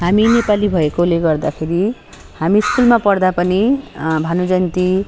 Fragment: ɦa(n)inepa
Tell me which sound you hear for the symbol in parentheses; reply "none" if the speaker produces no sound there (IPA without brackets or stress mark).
m